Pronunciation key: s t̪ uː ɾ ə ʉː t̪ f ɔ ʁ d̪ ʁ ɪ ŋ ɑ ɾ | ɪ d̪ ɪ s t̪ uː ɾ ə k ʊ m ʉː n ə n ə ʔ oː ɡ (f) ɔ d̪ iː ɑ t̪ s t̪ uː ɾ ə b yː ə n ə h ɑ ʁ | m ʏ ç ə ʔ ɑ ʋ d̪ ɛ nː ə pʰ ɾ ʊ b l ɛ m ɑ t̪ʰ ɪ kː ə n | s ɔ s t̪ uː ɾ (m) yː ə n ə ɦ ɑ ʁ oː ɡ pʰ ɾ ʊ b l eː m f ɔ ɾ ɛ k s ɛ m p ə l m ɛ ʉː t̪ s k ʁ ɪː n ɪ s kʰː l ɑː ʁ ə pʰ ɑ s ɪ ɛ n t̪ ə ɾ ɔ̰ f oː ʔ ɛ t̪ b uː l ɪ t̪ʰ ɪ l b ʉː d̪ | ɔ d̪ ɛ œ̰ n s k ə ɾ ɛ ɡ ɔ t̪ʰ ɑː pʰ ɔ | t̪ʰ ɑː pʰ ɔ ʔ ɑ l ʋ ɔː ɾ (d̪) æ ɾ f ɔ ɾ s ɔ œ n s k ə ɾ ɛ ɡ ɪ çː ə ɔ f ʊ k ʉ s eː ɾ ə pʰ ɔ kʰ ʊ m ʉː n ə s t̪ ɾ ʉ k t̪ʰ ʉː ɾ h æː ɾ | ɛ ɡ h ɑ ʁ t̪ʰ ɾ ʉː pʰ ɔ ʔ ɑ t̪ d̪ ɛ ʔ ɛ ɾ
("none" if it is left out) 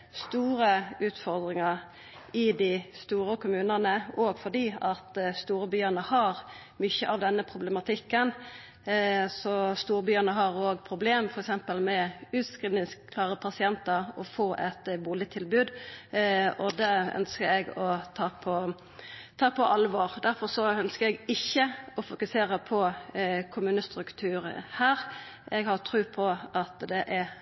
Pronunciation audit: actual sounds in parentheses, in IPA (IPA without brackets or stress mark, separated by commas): f, b, d̪